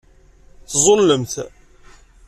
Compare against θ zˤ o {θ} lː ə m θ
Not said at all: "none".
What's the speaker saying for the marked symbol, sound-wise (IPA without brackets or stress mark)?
none